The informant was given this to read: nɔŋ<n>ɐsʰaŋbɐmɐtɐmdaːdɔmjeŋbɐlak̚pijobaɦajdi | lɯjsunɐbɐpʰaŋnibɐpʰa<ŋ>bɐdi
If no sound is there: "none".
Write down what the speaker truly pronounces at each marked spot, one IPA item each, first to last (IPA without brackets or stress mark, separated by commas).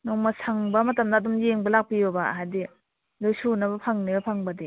m, ŋ